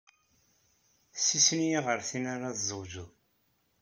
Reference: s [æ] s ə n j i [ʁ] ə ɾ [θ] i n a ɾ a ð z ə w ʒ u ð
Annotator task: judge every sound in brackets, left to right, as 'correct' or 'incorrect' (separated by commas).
incorrect, correct, correct